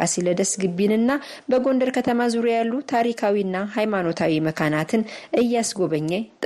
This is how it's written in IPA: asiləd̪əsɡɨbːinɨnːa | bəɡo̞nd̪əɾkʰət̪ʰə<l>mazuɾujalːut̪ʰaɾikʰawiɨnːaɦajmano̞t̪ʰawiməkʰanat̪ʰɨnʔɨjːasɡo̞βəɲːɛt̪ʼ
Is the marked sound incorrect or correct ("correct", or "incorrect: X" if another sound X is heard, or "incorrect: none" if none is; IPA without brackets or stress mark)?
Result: incorrect: none